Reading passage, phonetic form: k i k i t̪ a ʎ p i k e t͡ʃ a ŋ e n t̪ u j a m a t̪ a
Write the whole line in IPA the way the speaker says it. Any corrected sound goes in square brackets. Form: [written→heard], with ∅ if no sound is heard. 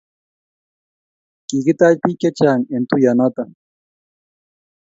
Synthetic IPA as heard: k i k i t̪ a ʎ p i k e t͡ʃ a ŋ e n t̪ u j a [m→n] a t̪ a